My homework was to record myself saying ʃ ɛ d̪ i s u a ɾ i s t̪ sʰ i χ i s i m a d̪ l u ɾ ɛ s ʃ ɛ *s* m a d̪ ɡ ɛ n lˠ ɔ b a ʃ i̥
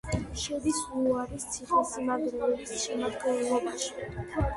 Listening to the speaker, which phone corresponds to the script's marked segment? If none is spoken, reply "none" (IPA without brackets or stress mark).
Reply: none